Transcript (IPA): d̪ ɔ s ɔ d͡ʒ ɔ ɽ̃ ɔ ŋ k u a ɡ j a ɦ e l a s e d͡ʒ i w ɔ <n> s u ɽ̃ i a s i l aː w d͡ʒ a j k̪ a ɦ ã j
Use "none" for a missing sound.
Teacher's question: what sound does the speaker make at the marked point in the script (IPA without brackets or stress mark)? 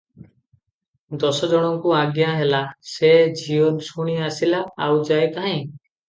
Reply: n